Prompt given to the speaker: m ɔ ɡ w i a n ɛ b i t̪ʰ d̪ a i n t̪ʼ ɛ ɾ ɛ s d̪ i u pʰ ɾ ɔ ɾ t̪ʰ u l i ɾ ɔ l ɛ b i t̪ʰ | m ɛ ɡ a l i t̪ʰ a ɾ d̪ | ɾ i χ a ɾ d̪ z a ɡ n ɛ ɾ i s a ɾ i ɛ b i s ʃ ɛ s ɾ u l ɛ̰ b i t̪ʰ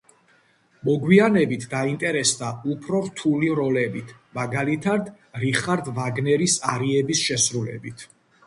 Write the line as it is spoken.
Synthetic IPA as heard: m ɔ ɡ w i a n ɛ b i t̪ʰ d̪ a i n t̪ʼ ɛ ɾ ɛ s d̪ a u pʰ ɾ ɔ ɾ t̪ʰ u l i ɾ ɔ l ɛ b i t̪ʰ | m a ɡ a l i t̪ʰ a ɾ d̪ | ɾ i χ a ɾ d̪ v a ɡ n ɛ ɾ i s a ɾ i ɛ b i s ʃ ɛ s ɾ u l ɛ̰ b i t̪ʰ